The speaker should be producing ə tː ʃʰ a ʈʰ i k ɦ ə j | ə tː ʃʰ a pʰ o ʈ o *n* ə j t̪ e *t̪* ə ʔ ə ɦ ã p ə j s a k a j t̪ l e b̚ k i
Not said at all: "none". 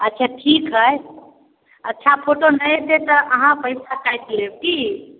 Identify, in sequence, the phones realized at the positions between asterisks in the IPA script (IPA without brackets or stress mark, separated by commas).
n, t̪